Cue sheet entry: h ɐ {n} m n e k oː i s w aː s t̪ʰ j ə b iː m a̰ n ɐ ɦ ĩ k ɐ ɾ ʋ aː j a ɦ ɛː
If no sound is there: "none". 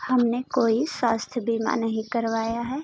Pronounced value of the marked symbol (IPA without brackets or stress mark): none